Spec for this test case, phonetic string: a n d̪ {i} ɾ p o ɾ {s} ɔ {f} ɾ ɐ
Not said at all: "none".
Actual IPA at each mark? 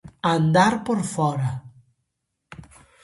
a, f, none

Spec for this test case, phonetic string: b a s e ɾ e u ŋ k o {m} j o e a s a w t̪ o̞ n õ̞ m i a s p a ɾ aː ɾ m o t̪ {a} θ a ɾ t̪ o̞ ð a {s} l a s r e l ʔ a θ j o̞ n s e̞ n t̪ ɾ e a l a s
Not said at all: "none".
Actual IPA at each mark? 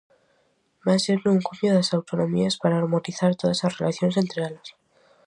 m, i, s

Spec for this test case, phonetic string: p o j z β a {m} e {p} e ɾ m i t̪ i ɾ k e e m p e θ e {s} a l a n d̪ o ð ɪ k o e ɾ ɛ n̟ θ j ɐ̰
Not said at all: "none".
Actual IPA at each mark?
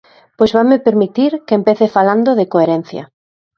m, p, f

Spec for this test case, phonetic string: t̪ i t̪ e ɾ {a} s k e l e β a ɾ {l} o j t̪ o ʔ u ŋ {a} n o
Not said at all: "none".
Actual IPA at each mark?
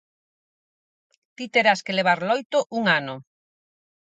a, l, a

